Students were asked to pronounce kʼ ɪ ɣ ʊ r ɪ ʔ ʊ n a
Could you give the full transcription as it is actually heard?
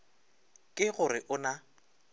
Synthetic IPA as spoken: kʼ ɪ ɣ ʊ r ɪ ʔ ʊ n a